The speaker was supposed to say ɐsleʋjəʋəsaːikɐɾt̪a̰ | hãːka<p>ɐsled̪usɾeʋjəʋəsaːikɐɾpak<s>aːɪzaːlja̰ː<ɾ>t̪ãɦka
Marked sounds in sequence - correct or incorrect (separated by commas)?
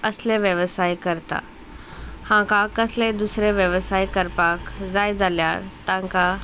incorrect, incorrect, correct